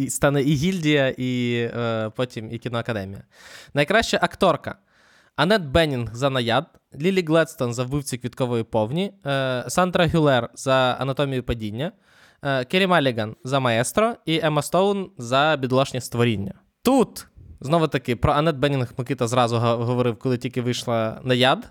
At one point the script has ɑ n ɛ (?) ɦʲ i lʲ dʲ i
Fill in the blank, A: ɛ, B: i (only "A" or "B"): B